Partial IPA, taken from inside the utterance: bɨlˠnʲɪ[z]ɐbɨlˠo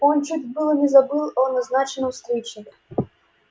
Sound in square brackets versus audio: correct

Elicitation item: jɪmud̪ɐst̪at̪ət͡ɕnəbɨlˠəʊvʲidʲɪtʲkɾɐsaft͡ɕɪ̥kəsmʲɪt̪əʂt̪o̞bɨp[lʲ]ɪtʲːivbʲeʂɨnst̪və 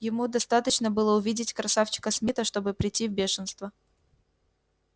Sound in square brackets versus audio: incorrect: ɾʲ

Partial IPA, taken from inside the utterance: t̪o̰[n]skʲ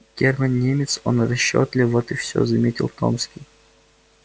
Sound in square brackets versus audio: incorrect: m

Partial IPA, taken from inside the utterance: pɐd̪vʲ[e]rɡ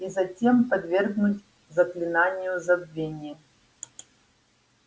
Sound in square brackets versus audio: correct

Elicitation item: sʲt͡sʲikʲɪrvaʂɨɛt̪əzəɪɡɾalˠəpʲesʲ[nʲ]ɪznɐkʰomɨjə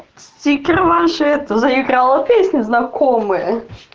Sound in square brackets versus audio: correct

